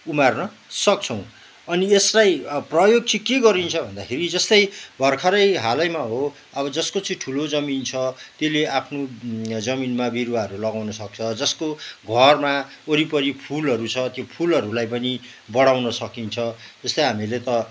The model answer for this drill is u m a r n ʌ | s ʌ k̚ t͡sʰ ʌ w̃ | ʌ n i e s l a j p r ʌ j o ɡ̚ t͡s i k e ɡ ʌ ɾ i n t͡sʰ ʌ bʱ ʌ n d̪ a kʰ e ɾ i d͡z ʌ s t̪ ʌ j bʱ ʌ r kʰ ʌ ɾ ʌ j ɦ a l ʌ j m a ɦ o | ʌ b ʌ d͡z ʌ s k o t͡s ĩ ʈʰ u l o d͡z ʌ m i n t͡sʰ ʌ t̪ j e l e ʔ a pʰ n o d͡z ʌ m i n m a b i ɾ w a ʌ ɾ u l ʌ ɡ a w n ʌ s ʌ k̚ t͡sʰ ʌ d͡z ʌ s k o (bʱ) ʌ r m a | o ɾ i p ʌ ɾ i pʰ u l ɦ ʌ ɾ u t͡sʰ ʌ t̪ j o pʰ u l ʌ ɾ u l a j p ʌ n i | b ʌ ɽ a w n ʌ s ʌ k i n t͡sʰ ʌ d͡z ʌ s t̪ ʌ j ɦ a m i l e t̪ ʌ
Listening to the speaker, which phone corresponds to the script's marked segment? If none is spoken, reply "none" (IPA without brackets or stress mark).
ɡʱ